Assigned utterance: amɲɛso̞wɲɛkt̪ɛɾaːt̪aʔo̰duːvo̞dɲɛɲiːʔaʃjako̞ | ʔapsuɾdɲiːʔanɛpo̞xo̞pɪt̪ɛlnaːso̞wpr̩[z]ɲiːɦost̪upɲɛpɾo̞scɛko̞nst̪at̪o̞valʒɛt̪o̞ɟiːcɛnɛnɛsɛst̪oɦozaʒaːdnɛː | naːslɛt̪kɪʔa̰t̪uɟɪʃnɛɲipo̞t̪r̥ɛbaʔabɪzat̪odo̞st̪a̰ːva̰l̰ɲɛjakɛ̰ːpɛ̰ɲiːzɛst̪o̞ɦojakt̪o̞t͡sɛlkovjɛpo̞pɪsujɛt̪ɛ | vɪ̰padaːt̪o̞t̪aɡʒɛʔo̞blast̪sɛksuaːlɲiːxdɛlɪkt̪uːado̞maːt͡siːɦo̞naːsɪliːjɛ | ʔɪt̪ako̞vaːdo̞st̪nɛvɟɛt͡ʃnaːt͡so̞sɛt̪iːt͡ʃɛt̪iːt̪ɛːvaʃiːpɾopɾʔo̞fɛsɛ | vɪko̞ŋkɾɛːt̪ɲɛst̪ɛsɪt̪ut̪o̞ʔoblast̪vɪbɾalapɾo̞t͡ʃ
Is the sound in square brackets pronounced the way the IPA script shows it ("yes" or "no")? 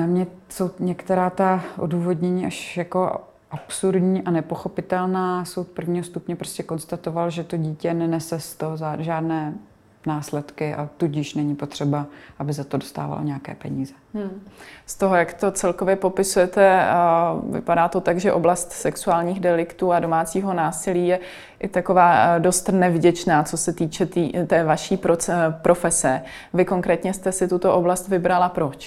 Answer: no